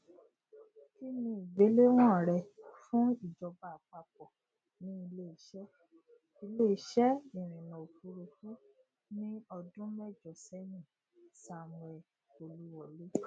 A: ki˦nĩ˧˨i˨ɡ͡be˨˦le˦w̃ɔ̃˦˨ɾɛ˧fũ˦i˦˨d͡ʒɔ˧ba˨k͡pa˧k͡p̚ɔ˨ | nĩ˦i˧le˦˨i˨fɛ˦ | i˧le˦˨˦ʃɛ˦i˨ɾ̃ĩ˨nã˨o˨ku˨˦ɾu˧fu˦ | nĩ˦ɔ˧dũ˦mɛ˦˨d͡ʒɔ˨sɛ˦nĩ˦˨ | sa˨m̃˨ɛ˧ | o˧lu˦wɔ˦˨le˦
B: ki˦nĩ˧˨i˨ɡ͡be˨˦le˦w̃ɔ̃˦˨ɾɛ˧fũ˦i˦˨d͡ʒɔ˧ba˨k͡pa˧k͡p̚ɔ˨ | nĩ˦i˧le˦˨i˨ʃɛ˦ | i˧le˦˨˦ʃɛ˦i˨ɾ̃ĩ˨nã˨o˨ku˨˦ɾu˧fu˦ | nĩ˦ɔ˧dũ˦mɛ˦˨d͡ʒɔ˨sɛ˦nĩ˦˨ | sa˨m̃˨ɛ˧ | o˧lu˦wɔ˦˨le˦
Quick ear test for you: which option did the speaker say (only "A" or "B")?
B